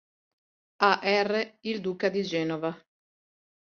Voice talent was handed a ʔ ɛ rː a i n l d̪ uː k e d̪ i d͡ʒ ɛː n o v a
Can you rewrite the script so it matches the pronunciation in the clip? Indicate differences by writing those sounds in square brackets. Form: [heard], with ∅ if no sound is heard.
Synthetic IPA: a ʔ ɛ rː [e] i [∅] l d̪ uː k [a] d̪ i d͡ʒ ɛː n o v a